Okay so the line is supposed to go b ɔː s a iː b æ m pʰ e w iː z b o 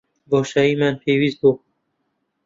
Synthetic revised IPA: b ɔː ʃ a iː m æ n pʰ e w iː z b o